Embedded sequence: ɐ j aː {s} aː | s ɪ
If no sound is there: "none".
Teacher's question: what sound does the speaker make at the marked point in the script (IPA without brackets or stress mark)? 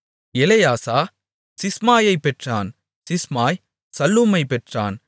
s